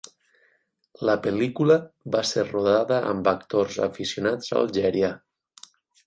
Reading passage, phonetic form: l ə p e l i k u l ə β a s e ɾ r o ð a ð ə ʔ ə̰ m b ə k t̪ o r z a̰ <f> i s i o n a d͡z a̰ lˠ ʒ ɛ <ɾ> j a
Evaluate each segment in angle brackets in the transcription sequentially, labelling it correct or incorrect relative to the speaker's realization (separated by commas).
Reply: correct, correct